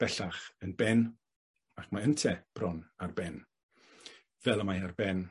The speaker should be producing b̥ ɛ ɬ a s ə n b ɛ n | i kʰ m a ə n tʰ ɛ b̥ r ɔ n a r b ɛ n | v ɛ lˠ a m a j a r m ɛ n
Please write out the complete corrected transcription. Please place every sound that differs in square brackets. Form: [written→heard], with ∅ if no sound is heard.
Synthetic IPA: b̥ ɛ ɬ a [s→χ] ə n b ɛ n | [i→a] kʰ m a ə n tʰ ɛ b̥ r ɔ n a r b ɛ n | v ɛ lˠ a m a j a r [m→b] ɛ n